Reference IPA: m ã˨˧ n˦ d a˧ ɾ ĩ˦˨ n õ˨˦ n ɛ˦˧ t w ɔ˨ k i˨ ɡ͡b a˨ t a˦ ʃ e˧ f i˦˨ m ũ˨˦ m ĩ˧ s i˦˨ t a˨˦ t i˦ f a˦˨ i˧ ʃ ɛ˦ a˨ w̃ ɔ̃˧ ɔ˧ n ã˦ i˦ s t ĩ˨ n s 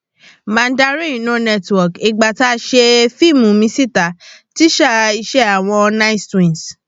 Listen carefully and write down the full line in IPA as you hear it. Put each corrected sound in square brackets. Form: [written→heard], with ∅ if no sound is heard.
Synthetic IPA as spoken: m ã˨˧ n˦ d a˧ ɾ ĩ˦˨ n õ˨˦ n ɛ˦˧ t w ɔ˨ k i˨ ɡ͡b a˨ t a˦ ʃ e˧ f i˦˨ m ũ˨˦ m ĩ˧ s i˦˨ t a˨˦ t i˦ [f→ʃ] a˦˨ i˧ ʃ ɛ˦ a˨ w̃ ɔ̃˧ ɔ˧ n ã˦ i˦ s t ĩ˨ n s